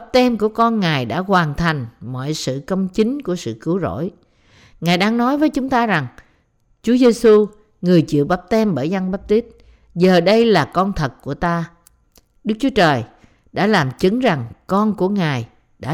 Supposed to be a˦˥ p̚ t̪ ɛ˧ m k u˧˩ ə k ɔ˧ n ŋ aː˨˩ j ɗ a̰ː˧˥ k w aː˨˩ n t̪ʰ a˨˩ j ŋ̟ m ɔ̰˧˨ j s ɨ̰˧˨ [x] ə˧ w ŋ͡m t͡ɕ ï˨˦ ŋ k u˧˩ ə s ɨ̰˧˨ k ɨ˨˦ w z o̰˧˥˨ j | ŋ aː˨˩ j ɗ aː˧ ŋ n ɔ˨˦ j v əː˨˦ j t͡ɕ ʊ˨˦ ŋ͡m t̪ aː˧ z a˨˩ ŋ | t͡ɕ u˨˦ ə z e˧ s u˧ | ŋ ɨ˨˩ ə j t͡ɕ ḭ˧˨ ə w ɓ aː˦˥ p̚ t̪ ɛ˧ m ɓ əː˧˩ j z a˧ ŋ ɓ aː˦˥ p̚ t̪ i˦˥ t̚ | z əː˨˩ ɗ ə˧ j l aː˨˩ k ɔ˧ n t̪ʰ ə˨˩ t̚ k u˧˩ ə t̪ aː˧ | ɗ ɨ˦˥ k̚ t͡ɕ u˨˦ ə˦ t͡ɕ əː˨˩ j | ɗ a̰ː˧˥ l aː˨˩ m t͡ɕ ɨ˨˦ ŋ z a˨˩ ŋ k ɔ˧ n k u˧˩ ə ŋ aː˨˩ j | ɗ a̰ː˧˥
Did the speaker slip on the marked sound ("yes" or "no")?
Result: yes